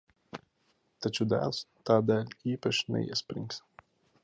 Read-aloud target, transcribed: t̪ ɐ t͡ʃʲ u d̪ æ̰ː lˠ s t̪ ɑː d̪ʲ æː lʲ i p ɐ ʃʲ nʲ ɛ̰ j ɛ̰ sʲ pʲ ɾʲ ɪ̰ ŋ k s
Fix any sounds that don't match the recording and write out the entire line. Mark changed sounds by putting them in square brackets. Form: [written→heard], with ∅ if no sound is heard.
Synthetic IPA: t̪ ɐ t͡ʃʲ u d̪ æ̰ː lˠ s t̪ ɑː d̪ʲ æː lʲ [i→iː] p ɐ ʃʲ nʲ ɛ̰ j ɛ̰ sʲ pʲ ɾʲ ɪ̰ ŋ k s